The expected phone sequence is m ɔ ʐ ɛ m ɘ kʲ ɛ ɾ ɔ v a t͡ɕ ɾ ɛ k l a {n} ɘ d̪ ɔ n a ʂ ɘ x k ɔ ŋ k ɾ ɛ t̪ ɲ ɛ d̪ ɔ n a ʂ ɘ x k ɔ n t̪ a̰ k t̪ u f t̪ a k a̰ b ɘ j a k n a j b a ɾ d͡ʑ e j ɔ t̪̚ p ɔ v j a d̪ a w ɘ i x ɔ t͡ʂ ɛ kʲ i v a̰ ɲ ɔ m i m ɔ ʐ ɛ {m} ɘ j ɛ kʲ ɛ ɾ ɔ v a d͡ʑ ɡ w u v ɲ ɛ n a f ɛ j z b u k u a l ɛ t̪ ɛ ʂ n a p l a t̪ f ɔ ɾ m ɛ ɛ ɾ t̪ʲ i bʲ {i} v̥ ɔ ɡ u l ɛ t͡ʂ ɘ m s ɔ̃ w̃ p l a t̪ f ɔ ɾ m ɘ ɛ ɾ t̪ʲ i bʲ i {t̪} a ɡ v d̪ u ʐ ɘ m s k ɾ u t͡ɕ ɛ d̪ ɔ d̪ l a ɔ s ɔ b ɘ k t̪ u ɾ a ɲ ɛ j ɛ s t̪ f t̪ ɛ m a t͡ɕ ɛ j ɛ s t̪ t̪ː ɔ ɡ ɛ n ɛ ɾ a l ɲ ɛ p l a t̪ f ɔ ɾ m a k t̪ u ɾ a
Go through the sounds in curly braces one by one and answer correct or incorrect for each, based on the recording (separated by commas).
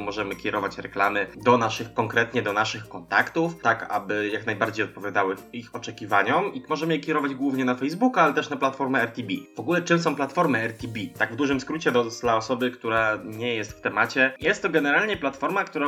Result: incorrect, correct, correct, correct